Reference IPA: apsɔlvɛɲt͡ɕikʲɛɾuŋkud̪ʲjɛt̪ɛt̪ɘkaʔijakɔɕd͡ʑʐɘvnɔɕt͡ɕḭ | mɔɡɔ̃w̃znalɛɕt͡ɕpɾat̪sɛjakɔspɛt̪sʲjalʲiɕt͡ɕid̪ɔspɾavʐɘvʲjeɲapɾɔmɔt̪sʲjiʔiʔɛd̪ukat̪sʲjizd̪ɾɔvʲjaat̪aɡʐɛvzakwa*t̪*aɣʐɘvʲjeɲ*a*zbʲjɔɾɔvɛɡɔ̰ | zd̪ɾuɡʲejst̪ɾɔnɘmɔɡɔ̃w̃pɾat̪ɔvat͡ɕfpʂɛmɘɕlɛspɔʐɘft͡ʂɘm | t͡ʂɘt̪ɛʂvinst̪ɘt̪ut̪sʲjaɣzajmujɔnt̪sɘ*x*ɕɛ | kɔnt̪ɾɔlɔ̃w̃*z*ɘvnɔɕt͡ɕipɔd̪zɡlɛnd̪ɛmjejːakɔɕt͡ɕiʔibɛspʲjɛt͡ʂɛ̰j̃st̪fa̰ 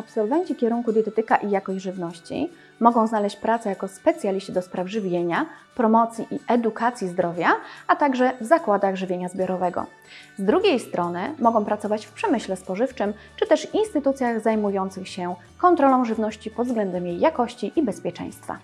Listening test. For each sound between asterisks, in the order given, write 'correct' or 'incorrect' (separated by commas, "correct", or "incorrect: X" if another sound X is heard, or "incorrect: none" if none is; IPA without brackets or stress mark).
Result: incorrect: d̪, correct, correct, incorrect: ʐ